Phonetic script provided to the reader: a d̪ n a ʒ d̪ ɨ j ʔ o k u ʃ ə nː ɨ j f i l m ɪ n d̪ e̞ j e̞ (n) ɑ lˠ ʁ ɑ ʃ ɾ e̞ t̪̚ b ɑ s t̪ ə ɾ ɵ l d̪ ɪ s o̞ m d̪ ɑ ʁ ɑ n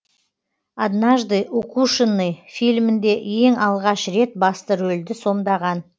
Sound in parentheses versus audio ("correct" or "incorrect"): incorrect